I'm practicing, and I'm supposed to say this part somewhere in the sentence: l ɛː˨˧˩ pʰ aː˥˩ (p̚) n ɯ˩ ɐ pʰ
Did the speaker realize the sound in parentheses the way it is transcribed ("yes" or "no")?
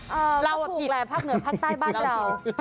no